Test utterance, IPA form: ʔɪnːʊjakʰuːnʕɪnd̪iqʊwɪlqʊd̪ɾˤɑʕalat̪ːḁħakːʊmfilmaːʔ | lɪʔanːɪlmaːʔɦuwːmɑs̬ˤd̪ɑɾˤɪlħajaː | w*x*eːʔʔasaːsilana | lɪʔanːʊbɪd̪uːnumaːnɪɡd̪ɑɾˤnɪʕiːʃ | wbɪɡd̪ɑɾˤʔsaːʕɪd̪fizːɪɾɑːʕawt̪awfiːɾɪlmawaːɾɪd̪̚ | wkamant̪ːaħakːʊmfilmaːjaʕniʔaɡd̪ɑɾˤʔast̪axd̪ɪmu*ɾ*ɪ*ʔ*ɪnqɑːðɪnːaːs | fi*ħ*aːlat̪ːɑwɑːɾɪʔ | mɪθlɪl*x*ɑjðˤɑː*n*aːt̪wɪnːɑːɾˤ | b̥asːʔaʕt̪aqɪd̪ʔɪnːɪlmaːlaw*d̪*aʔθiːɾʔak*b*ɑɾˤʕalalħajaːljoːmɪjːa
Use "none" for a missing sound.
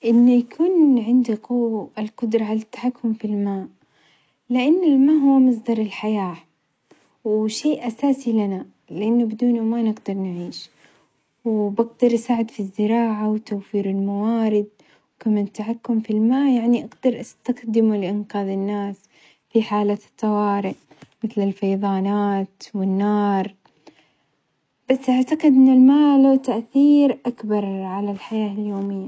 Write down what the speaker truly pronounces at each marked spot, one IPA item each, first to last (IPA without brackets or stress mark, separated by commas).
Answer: ʃ, l, ʔ, ħ, f, n, t̪, b